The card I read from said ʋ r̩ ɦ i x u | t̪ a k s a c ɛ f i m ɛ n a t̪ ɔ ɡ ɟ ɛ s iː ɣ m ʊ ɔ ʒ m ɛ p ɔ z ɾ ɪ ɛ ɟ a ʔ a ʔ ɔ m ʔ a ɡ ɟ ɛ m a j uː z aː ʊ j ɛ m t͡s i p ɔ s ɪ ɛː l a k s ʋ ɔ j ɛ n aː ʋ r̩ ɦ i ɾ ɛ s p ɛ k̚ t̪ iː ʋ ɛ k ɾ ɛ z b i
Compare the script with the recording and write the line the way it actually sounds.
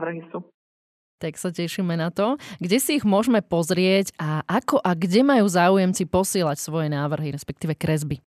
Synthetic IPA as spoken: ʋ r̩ ɦ i s u | t̪ a k s a c ɛ ʃ i m ɛ n a t̪ ɔ ɡ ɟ ɛ s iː ɣ m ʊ ɔ ʒ m ɛ p ɔ z ɾ ɪ ɛ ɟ a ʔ a k ɔ ʔ a ɡ ɟ ɛ m a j uː z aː u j ɛ m t͡s i p ɔ s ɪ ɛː l a c s ʋ ɔ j ɛ n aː ʋ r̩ ɦ i ɾ ɛ s p ɛ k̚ t̪ iː ʋ ɛ k ɾ ɛ z b i